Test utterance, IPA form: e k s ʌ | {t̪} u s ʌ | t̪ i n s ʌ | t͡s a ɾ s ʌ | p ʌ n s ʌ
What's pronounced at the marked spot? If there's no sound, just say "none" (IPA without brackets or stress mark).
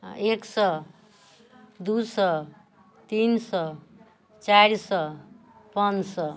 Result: d̪